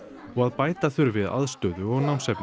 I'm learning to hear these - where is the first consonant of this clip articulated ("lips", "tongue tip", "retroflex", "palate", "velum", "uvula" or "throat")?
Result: velum